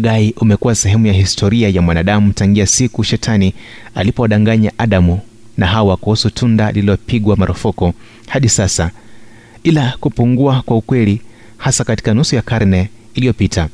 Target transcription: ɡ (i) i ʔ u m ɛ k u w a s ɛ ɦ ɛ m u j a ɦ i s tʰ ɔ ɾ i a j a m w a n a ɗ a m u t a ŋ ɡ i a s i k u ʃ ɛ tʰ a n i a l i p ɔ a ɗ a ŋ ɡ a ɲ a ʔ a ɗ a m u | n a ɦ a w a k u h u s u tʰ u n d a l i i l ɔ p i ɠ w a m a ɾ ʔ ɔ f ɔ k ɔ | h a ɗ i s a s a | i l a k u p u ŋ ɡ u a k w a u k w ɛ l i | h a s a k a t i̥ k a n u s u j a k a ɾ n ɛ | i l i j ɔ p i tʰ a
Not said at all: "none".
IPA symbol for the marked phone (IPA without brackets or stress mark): a